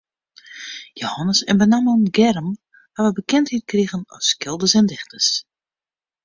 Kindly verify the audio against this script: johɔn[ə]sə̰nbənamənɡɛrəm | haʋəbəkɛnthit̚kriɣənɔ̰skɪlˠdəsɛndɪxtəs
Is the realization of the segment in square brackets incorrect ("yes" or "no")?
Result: no